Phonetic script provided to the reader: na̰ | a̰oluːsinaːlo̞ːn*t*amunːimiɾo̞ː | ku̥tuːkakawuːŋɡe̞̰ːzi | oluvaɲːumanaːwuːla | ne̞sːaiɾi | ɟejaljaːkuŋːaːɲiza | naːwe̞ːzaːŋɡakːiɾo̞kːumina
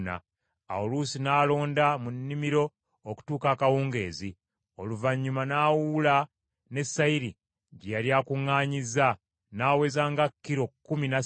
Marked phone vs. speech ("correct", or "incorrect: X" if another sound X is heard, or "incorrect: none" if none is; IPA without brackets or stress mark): incorrect: d